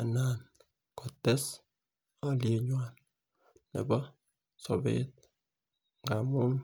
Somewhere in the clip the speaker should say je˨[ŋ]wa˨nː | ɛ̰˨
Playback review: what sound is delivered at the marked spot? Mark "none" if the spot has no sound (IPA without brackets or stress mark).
ɲ